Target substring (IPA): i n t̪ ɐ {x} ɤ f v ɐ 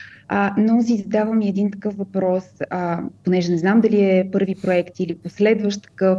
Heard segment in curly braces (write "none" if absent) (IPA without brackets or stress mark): k